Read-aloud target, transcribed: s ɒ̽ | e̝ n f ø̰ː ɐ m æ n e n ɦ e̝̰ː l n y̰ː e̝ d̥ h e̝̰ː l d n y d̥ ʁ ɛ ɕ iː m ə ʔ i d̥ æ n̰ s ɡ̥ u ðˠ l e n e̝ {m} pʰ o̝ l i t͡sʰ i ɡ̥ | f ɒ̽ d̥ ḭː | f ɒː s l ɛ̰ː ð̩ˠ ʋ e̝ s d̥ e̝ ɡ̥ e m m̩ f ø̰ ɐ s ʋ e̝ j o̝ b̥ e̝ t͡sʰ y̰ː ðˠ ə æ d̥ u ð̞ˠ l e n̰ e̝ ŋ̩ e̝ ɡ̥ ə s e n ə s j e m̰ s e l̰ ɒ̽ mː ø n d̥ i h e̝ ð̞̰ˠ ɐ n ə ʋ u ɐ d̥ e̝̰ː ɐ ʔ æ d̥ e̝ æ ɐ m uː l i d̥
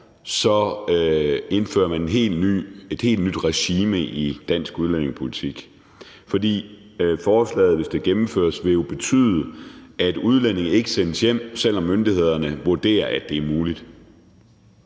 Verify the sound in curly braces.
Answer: incorrect: ŋ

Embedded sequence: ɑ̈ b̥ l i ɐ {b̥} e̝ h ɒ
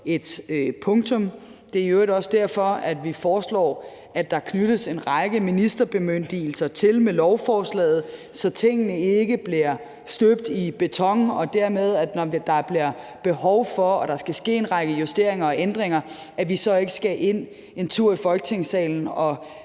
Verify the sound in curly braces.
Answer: correct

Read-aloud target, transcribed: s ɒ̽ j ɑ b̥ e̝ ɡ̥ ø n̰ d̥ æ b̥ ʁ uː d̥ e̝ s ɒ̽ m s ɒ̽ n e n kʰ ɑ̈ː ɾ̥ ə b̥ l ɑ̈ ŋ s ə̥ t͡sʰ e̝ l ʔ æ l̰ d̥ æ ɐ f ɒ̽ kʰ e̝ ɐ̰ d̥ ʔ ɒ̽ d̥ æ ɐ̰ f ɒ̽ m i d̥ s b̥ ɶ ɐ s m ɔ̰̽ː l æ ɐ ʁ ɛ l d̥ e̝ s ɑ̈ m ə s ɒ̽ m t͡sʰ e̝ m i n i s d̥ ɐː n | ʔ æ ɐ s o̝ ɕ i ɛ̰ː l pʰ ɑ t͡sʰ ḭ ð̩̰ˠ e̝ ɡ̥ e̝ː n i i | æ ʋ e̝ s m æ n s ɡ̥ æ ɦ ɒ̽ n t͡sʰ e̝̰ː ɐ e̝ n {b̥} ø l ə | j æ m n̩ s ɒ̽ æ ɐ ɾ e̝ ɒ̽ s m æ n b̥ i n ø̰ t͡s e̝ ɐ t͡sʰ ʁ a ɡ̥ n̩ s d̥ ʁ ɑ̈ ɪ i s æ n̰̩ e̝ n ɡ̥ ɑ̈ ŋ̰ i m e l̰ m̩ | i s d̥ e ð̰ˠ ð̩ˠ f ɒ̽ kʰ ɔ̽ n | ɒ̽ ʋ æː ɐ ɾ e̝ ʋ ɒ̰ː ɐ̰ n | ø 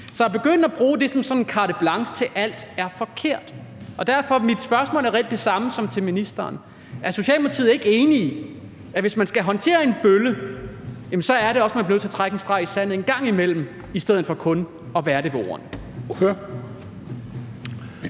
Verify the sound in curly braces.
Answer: correct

